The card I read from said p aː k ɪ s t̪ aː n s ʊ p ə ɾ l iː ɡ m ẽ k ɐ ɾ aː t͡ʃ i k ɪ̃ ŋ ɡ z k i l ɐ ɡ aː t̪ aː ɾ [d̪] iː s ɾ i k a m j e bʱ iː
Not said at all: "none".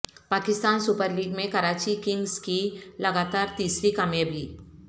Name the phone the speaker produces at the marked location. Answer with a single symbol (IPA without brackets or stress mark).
t̪